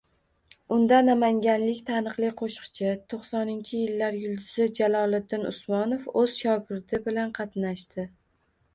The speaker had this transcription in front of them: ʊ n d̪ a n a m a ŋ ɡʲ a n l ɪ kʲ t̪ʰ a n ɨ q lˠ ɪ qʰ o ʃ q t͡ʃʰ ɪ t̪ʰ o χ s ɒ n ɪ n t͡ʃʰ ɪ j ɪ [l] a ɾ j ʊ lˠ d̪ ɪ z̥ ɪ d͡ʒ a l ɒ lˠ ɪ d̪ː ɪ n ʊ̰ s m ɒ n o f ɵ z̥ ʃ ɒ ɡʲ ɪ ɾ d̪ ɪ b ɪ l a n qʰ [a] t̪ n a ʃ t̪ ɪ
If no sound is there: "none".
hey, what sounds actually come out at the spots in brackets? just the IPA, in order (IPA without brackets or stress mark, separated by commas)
lː, ɑ